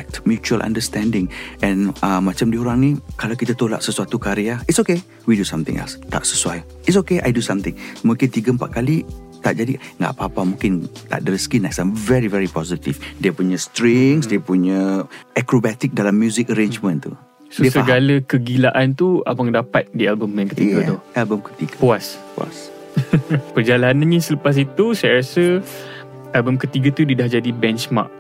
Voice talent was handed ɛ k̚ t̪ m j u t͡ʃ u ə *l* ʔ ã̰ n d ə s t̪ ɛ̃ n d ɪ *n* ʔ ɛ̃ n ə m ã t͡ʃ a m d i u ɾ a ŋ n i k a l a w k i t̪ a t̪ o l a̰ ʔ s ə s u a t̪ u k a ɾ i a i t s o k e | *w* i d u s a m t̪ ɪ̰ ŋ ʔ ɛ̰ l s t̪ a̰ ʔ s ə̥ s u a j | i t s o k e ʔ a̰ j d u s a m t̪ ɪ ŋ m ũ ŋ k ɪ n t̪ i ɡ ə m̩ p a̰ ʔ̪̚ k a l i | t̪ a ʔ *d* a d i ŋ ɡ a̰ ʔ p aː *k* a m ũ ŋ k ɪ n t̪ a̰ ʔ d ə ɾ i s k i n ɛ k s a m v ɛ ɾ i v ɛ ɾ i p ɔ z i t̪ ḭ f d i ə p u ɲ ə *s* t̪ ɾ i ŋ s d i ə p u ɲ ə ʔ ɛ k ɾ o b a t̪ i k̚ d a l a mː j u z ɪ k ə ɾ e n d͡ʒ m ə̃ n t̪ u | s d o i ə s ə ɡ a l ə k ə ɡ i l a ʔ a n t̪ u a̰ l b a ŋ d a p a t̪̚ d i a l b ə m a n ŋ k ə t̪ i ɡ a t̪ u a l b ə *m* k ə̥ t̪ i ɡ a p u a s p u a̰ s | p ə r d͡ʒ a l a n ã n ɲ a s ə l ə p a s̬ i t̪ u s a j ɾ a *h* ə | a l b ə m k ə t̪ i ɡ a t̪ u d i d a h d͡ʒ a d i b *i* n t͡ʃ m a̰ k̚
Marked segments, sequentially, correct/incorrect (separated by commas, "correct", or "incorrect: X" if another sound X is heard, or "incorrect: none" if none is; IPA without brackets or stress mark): correct, incorrect: ŋ, correct, incorrect: d͡ʒ, incorrect: p, correct, correct, incorrect: s, incorrect: ɛ